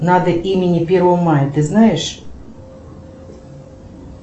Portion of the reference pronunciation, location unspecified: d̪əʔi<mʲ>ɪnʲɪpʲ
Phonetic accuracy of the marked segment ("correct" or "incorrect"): correct